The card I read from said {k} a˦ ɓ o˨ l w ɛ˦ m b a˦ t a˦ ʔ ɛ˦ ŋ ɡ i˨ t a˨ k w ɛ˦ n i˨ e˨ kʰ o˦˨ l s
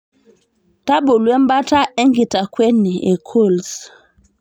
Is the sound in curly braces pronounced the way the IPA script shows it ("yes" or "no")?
no